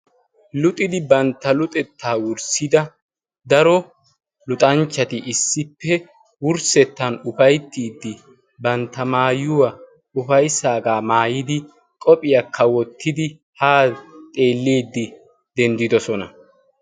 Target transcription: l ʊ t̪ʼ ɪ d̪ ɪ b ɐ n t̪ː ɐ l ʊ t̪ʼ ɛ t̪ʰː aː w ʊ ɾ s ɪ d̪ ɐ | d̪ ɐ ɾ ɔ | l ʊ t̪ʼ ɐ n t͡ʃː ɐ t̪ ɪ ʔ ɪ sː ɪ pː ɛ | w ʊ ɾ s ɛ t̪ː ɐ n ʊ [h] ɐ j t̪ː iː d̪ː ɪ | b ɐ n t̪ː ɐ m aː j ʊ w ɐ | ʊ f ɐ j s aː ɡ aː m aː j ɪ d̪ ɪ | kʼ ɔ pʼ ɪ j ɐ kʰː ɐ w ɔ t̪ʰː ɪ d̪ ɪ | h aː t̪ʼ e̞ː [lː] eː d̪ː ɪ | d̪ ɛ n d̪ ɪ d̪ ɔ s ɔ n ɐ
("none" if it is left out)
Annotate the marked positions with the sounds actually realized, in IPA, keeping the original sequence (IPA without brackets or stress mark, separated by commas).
f, lː